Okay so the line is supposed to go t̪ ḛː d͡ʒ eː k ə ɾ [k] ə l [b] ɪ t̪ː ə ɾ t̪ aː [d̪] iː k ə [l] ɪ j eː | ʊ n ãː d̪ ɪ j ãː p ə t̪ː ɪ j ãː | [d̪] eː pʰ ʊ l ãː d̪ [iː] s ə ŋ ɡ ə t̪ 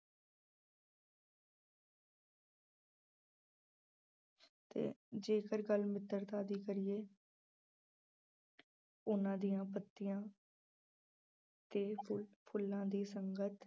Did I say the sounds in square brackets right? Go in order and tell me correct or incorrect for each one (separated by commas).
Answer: incorrect, incorrect, correct, incorrect, incorrect, correct